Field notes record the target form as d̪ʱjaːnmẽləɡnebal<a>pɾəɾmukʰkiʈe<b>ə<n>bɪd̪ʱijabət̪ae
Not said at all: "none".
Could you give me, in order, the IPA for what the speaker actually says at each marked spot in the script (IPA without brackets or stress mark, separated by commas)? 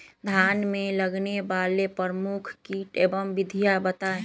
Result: e, b, m